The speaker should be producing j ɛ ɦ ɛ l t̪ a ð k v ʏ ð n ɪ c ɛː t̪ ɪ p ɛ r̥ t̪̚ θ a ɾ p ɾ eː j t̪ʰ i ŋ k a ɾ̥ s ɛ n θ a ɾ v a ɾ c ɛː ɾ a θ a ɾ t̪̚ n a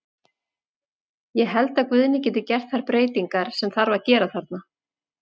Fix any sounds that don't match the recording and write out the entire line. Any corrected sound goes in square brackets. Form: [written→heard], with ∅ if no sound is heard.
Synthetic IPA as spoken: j ɛ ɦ ɛ l t̪ a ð k v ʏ ð n ɪ c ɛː t̪ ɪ [p→c] ɛ r̥ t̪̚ θ a ɾ p ɾ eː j [t̪ʰ→t̪] i ŋ k a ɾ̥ s ɛ [n→m] θ a ɾ v a ɾ c ɛː ɾ a θ a ɾ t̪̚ n a